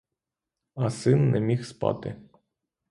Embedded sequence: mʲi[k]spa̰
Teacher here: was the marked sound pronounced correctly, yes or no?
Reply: no